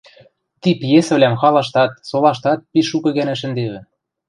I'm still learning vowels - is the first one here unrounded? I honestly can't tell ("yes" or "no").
yes